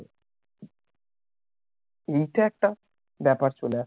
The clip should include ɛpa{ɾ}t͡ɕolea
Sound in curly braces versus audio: correct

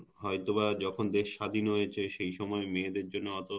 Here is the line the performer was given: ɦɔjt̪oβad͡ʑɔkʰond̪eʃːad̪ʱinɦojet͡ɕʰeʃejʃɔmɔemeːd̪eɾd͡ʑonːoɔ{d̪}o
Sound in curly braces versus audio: incorrect: t̪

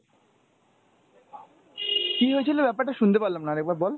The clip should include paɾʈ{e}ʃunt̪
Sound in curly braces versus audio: incorrect: a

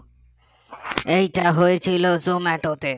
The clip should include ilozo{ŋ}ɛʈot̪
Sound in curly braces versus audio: incorrect: m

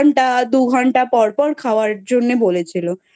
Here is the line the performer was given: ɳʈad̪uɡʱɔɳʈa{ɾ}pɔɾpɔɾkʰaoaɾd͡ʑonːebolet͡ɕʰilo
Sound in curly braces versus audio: incorrect: none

